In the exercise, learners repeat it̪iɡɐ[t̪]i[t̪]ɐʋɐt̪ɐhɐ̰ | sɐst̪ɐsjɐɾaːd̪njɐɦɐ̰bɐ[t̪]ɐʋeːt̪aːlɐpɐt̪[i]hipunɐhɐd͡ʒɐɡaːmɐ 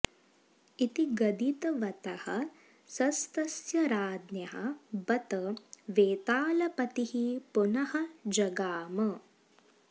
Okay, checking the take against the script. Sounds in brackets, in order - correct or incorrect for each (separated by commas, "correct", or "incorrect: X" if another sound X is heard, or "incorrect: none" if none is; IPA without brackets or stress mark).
incorrect: d̪, correct, correct, correct